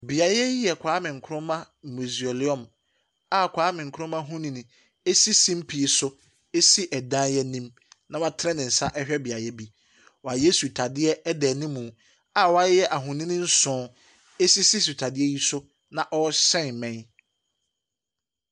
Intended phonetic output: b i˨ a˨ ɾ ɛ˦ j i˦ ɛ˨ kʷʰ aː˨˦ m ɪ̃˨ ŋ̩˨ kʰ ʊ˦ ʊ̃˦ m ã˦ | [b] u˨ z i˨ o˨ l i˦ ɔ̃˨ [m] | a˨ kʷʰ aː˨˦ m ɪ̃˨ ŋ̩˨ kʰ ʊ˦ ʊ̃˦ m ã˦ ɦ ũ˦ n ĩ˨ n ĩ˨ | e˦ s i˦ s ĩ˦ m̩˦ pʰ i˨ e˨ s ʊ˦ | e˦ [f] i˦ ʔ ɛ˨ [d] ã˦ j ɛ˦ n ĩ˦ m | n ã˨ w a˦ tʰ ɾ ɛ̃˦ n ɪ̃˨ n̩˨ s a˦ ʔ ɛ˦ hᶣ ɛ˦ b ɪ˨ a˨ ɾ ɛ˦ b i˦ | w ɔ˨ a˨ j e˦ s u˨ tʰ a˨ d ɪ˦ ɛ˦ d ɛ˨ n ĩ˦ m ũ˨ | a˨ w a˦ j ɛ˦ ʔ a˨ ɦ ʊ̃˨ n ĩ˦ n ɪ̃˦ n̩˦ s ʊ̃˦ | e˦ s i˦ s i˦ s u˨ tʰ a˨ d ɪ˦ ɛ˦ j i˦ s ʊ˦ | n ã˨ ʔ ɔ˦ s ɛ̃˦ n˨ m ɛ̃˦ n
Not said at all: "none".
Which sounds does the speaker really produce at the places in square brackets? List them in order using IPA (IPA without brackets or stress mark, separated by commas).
m, m, s, d